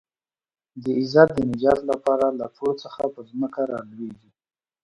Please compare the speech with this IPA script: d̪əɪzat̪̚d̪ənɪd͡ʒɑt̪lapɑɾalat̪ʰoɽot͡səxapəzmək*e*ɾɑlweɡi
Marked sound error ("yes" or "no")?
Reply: yes